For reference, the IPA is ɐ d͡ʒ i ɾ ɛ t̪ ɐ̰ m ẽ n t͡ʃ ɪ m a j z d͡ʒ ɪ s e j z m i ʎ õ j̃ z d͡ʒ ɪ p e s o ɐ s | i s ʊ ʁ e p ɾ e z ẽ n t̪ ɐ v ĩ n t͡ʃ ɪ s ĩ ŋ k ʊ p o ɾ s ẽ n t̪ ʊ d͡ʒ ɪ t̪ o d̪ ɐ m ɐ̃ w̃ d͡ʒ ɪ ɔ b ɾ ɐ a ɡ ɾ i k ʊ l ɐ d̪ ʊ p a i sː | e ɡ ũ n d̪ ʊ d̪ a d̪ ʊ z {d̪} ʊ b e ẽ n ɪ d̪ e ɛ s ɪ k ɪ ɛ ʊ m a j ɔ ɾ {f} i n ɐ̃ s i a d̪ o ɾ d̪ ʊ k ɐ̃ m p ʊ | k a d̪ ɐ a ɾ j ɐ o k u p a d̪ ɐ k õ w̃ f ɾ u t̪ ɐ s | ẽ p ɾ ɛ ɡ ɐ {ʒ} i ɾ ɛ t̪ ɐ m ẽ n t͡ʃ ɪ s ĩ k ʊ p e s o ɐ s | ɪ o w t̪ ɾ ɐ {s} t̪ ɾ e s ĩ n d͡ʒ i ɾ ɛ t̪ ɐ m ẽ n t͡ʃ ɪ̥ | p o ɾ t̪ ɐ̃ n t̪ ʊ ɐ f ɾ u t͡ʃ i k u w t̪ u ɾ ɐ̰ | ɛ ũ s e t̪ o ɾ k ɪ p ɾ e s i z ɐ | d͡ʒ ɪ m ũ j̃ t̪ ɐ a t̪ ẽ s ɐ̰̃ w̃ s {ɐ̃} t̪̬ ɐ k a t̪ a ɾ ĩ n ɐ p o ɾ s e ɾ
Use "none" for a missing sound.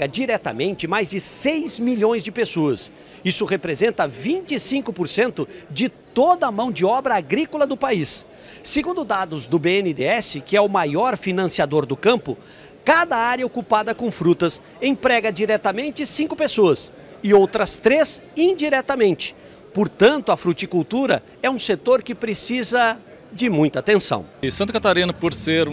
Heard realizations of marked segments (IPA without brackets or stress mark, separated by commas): d̪, f, d͡ʒ, s, ɐ̃